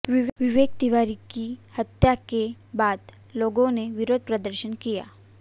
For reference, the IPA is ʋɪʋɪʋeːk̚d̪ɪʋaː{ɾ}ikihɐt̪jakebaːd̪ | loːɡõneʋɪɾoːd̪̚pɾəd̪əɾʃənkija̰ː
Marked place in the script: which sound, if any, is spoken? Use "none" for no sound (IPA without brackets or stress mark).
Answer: ɾ